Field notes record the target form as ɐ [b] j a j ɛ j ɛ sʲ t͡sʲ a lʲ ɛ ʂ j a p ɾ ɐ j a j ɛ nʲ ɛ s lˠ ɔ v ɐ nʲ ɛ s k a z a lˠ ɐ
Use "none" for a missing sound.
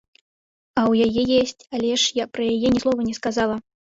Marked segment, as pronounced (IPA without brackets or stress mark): w